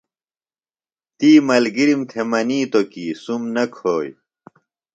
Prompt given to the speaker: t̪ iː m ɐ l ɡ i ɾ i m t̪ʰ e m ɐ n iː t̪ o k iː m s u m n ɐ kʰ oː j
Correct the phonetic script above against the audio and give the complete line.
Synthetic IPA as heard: t̪ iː m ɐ l ɡ i ɾ i m t̪ʰ e m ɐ n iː t̪ o k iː s u m n ɐ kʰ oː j